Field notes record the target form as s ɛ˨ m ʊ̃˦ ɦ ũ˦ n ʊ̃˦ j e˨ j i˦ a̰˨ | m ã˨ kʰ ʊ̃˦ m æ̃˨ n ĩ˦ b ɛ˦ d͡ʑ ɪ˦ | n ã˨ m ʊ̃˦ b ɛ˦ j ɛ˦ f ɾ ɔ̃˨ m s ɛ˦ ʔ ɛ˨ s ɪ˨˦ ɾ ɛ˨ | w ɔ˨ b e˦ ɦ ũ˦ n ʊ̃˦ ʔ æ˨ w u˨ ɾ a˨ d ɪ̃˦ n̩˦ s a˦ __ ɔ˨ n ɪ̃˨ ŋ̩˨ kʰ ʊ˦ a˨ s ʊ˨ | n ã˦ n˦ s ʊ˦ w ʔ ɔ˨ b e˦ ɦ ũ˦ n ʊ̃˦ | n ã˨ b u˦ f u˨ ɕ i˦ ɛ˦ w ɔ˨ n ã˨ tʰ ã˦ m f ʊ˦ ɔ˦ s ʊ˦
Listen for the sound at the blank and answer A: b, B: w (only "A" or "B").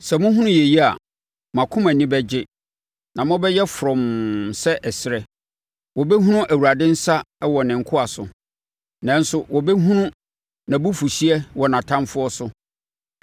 B